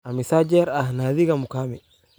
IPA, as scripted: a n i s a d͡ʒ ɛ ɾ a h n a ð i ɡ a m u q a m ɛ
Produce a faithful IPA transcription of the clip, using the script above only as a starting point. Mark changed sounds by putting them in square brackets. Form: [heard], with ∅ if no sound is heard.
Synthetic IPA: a [m] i s a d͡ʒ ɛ ɾ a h n a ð i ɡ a m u [k] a m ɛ